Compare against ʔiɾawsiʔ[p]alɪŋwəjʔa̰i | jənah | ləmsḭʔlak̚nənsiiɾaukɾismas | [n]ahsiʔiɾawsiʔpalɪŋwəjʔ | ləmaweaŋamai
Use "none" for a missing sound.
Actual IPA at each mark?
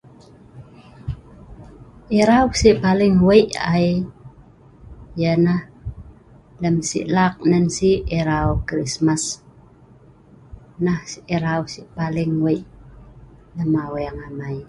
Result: p, n

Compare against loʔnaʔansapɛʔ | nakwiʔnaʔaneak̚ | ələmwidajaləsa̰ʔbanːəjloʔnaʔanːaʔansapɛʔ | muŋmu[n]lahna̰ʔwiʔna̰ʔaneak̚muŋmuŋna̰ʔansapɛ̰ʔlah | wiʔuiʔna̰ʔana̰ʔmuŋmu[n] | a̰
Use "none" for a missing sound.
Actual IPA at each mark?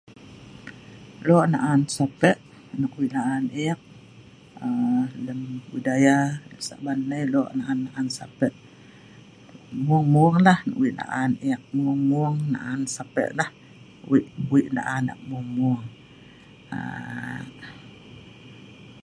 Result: ŋ, ŋ

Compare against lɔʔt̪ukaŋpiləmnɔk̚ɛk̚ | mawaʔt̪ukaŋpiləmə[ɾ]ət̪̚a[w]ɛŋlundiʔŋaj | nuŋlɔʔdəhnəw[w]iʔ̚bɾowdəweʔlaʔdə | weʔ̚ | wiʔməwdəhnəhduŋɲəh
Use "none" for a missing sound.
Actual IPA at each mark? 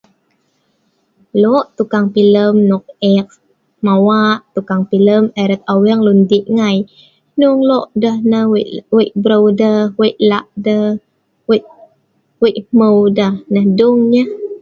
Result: ɾ, w, w

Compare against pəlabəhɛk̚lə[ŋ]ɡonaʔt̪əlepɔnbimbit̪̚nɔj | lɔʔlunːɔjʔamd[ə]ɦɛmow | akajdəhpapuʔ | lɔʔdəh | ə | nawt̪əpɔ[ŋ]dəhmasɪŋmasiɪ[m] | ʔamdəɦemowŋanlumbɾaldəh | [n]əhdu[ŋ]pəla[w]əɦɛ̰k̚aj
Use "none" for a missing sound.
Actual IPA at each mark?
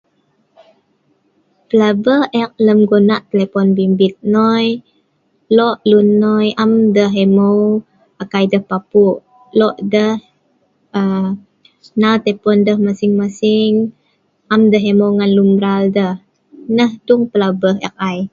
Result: m, ə, n, ŋ, n, ŋ, b

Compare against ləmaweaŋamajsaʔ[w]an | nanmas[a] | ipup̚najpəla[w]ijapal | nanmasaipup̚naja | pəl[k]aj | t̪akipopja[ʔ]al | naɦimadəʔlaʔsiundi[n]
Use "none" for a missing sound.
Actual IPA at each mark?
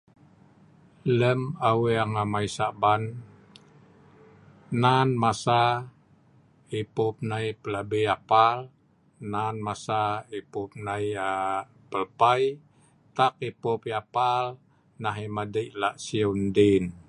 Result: b, a, b, p, p, n

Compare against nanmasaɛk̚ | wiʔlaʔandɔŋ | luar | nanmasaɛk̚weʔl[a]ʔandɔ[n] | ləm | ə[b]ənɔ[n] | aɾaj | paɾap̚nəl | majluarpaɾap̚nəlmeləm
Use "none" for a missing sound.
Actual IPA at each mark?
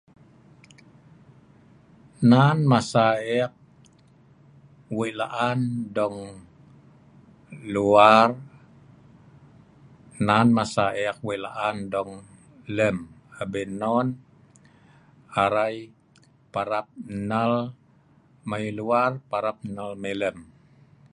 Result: a, ŋ, b, n

